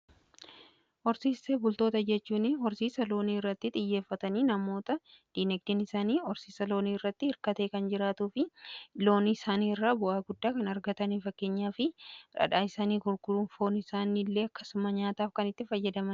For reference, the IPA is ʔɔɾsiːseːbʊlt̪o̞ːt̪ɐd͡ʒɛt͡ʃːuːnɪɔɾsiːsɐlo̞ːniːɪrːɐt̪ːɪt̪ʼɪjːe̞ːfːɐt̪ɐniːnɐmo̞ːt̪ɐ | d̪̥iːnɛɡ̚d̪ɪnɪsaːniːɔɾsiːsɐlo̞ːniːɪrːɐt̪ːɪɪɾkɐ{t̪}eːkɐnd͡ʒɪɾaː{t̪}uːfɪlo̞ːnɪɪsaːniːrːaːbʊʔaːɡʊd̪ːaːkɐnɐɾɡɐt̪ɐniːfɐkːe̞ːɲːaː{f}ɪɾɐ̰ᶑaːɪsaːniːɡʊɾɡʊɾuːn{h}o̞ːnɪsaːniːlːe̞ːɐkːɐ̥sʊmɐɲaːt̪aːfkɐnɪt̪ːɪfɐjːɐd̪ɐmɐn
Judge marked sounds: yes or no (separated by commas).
yes, yes, yes, no